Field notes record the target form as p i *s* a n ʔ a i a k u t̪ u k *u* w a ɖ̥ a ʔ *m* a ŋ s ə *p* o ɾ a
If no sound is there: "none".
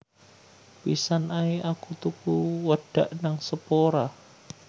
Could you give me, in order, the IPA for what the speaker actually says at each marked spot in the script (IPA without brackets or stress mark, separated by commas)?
s, u, n, p